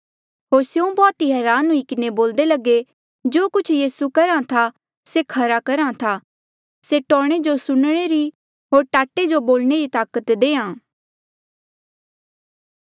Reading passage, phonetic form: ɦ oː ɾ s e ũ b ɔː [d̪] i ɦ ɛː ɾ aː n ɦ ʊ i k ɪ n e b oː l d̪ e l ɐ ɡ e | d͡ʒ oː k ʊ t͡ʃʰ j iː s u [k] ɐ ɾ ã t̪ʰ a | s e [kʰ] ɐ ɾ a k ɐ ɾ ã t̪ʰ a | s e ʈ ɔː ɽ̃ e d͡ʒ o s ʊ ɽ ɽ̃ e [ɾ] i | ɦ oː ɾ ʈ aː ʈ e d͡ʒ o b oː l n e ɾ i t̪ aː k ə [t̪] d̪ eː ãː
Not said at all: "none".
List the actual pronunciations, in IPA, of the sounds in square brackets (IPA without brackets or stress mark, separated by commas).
t̪, k, kʰ, ɾ, t̪